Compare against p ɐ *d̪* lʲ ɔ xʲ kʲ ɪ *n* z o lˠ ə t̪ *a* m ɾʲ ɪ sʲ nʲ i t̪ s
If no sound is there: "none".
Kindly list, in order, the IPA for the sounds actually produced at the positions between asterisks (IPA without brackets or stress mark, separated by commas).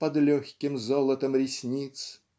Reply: d̪, m, ə